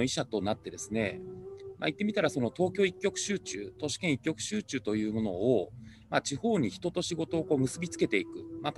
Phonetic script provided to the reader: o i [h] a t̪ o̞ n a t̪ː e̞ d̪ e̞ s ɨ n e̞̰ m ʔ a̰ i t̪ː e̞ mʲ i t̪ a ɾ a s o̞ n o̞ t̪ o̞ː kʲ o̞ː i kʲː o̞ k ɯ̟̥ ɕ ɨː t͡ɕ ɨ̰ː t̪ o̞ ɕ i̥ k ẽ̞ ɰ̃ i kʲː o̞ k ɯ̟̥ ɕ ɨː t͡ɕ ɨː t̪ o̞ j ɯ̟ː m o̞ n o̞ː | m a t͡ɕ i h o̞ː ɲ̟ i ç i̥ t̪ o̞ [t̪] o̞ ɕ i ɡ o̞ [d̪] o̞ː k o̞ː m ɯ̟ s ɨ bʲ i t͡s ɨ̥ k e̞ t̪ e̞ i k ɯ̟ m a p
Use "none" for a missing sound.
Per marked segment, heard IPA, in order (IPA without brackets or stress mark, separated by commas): ɕ, t̪, t̪